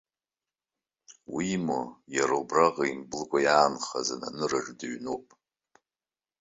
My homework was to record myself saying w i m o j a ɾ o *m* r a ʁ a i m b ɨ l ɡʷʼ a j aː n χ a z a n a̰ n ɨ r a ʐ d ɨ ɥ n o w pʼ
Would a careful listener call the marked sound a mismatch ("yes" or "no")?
yes